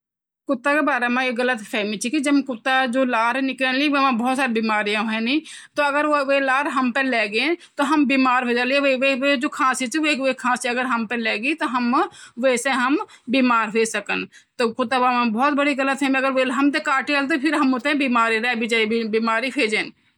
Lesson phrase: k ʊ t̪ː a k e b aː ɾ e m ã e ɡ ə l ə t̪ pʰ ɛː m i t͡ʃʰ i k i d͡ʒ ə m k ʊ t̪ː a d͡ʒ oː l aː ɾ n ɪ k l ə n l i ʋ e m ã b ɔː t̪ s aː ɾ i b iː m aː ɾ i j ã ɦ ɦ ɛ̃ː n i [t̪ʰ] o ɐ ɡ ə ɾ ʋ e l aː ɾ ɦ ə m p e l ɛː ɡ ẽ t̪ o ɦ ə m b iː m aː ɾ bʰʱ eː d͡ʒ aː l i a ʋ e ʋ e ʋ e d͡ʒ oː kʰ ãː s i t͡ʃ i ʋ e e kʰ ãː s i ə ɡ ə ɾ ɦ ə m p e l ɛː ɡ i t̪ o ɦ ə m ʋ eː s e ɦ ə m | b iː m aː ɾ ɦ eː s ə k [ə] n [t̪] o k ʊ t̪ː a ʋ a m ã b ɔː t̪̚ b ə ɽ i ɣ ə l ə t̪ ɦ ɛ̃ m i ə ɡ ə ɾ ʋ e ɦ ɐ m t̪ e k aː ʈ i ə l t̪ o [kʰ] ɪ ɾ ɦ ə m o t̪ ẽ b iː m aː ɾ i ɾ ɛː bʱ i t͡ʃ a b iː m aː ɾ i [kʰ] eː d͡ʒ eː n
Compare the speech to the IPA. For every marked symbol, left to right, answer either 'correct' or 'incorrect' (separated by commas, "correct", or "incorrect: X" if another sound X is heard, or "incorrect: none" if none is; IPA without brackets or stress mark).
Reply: incorrect: t̪, correct, correct, incorrect: pʰ, incorrect: pʰ